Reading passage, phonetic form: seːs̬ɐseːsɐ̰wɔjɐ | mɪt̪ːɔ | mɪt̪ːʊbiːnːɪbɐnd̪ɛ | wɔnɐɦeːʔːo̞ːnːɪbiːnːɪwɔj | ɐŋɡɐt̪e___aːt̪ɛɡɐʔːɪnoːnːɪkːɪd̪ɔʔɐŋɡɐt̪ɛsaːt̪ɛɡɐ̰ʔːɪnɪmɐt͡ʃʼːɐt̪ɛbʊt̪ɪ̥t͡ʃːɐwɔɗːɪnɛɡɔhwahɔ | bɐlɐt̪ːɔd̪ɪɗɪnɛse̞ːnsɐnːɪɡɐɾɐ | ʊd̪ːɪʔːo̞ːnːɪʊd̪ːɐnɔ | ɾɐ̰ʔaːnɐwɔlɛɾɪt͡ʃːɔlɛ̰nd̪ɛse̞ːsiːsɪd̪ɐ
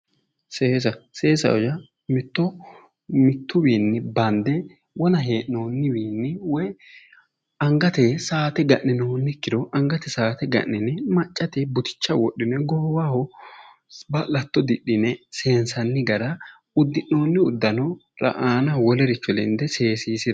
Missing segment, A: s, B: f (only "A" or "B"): A